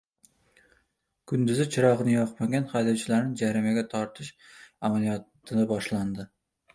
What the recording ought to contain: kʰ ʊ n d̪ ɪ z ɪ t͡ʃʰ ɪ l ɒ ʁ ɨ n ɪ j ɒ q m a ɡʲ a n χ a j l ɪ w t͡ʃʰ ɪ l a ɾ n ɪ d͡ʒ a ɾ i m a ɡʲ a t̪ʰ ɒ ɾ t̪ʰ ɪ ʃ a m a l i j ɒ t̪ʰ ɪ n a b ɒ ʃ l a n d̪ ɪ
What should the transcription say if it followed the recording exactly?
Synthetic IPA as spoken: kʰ ʊ n d̪ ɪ z ɪ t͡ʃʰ ɪ ɾ ɒ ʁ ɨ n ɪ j ɒ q m a ɡʲ a n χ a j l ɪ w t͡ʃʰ ɪ l a ɾ n ɪ d͡ʒ a ɾ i m a ɡʲ a t̪ʰ ɒ ɾ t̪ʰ ɪ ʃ a m a l i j ɒ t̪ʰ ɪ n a b ɒ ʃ l a n d̪ ɪ